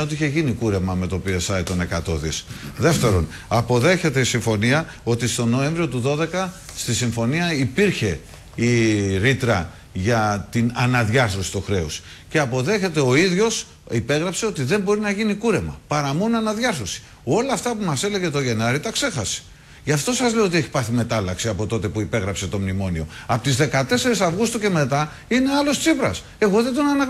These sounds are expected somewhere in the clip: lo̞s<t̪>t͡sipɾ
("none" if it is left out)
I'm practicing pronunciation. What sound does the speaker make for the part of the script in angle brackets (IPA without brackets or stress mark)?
t̪